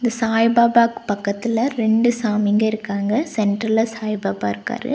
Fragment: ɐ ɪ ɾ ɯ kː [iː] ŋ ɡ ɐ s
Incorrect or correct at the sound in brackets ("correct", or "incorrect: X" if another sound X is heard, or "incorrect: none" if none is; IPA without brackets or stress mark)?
incorrect: aː